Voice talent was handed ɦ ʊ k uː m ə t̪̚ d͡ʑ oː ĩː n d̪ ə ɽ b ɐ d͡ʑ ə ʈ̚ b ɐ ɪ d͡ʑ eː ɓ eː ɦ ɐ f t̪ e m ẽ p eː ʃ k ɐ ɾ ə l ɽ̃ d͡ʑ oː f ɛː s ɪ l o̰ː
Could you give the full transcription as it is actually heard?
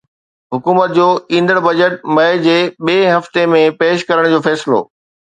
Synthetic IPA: ɦ ʊ k uː m ə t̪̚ d͡ʑ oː ĩː n d̪ ə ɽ b ɐ d͡ʑ ə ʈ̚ m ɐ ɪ d͡ʑ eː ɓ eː ɦ ɐ f t̪ e m ẽ p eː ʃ k ɐ ɾ ə ɽ̃ d͡ʑ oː f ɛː s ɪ l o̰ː